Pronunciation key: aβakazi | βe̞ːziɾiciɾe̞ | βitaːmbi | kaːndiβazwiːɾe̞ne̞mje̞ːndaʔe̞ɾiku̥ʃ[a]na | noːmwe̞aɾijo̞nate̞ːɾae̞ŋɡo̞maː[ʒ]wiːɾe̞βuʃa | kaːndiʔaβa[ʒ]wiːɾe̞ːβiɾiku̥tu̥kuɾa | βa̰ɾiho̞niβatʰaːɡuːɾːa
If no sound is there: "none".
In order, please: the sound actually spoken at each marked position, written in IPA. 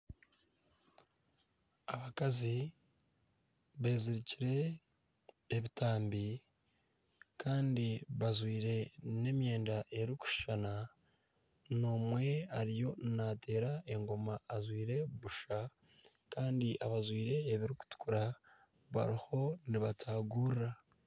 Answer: a, z, z

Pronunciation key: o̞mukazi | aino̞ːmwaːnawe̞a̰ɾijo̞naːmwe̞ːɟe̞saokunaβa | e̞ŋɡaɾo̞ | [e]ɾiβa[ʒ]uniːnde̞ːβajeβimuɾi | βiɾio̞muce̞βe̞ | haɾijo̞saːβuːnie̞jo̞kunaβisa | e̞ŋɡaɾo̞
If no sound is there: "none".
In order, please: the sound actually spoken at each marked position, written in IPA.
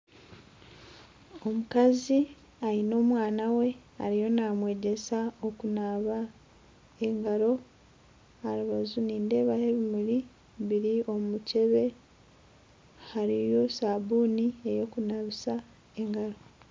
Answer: a, z

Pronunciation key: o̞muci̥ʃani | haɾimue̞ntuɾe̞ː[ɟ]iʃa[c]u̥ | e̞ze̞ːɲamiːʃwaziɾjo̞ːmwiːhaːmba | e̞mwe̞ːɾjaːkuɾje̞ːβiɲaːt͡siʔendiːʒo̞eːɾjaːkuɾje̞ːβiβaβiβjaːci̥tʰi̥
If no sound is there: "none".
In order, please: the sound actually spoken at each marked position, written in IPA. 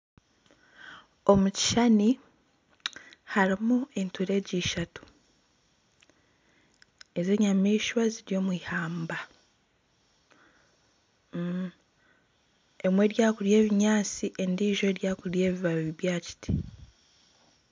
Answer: ɟ, t

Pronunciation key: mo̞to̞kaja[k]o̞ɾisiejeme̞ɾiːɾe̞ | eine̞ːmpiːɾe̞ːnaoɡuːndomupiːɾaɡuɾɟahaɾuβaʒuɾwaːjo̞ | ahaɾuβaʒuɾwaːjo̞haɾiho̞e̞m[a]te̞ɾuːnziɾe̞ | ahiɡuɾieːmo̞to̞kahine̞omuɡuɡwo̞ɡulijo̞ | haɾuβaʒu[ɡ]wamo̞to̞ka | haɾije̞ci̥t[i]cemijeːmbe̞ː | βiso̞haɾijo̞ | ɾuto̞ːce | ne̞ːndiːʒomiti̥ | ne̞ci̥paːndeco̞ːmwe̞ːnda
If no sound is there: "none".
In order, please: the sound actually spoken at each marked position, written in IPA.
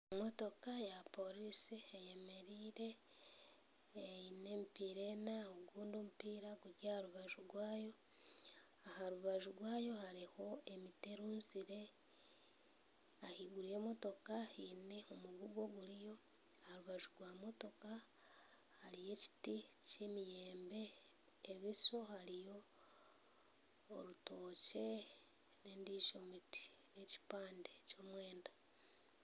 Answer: p, i, ɡ, i

